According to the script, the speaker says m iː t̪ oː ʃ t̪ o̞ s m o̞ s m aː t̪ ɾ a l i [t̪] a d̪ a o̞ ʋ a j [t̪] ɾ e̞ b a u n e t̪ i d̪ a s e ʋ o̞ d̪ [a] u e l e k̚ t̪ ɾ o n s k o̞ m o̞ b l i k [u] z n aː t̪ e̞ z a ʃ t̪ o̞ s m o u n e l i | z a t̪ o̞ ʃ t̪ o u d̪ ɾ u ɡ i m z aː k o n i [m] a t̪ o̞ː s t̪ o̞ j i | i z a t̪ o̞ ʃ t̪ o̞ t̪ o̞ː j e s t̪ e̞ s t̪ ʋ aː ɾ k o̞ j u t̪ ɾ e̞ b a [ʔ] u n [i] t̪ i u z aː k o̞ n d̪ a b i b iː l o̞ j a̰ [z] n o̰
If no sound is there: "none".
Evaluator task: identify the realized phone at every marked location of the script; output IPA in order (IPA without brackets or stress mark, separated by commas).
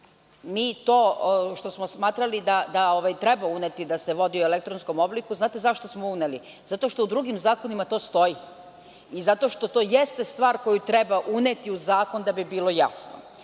d̪, t̪, i, u, m, ʔ, e, s